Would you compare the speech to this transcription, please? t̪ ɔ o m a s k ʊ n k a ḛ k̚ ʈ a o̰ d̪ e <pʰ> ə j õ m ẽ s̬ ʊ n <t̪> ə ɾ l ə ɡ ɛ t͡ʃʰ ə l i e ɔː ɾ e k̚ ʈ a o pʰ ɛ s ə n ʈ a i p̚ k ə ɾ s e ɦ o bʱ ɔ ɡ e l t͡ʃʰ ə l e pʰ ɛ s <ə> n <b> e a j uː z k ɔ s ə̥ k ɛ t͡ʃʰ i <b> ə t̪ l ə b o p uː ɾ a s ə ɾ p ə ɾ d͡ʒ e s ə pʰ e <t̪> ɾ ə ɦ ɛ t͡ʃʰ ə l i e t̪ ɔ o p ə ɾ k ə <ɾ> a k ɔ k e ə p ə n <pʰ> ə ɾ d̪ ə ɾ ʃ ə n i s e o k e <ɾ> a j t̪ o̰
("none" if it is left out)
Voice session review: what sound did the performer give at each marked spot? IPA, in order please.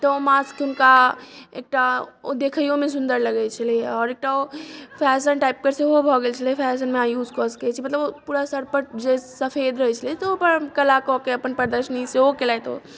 kʰ, d̪, ə, m, m, d̪, l, p, l

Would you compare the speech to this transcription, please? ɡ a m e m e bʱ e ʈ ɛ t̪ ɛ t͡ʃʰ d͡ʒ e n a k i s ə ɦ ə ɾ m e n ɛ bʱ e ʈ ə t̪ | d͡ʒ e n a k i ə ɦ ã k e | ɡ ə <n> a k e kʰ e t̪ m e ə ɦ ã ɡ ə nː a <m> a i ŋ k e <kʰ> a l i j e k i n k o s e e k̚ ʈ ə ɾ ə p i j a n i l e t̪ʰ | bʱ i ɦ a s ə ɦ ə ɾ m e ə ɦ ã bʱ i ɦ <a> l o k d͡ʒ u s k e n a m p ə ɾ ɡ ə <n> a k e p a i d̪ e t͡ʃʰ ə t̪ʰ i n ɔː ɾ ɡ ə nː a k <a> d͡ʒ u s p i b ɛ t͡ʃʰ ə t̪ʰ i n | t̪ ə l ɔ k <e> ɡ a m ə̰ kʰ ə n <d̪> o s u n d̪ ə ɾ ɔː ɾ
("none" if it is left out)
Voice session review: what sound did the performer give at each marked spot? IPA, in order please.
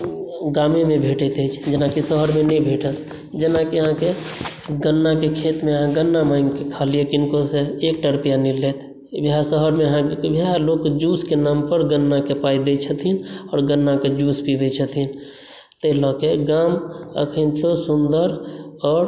nː, m, kʰ, a, nː, e, e, t̪

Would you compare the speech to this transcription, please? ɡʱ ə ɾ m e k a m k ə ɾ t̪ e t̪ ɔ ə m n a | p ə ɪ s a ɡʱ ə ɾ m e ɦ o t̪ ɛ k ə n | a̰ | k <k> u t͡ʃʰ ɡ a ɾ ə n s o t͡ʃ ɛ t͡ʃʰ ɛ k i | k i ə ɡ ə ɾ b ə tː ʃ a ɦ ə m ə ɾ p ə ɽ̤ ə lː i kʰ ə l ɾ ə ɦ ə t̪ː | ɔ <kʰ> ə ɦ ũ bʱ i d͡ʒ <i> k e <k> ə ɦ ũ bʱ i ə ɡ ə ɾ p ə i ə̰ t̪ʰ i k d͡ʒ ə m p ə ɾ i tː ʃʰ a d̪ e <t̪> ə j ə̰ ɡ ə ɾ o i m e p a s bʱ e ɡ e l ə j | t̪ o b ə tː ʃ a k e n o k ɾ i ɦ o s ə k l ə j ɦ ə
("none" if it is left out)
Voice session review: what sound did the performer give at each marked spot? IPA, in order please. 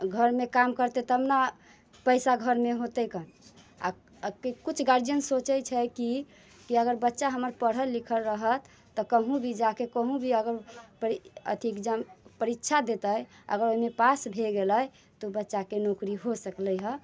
k, k, a, k, t̪

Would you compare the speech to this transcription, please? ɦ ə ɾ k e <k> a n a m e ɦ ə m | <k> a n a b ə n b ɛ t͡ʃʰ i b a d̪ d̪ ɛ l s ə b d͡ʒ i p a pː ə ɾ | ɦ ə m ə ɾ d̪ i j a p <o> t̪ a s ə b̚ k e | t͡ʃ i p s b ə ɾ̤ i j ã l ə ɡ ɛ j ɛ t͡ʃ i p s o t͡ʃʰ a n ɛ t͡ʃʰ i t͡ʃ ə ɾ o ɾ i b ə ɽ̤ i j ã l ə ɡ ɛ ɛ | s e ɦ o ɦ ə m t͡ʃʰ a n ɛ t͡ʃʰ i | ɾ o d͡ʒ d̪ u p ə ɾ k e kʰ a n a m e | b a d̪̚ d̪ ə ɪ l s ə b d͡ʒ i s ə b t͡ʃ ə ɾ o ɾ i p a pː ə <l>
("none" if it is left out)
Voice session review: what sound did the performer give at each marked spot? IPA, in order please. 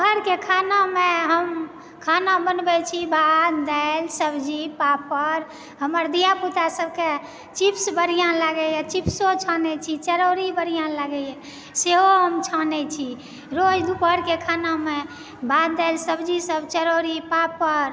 kʰ, kʰ, u, ɾ

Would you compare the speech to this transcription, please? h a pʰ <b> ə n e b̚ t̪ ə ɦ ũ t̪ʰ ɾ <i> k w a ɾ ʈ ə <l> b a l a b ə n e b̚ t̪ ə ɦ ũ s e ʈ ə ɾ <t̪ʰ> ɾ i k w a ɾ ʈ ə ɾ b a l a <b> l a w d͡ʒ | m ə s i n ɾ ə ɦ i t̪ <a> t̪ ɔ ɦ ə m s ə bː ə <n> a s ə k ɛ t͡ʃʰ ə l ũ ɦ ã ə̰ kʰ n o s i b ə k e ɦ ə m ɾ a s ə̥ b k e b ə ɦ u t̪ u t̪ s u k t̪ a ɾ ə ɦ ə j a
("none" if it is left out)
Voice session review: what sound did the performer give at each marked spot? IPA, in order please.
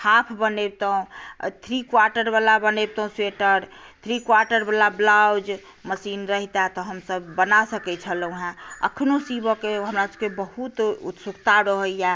b, i, ɾ, t̪ʰ, b, a, n

